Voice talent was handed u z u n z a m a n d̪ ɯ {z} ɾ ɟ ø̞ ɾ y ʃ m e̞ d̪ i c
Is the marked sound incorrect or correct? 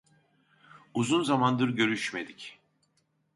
incorrect